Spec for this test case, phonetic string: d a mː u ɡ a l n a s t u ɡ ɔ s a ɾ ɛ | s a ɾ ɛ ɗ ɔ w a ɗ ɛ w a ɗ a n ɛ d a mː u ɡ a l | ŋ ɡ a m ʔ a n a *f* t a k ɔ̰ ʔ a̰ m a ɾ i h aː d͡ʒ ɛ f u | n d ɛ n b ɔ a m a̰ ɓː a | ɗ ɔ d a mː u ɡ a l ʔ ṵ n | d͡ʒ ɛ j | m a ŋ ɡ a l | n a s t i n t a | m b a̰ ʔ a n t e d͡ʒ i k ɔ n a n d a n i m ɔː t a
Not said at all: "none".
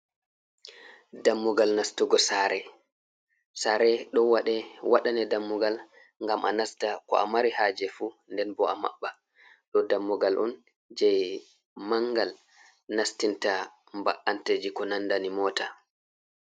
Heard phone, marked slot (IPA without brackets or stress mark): s